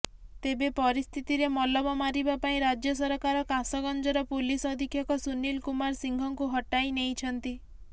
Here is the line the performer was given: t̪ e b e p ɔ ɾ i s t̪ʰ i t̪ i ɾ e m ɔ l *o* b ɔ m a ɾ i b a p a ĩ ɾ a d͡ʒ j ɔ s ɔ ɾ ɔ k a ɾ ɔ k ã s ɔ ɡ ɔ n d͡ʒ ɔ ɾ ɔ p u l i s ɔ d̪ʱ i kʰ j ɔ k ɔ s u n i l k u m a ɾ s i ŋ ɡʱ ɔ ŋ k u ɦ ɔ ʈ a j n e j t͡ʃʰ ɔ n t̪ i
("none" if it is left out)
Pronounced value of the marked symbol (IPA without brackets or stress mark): ɔ